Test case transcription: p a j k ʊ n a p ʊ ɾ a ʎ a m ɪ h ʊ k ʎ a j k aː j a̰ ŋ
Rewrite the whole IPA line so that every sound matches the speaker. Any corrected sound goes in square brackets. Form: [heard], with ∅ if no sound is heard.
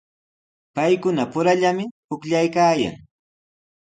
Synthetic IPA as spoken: p a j k ʊ n a p ʊ ɾ a ʎ a m ɪ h ʊ k ʎ a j k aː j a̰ ŋ